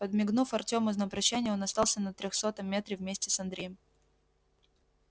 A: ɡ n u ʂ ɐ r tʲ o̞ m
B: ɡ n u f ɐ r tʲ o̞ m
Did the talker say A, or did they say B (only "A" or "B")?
B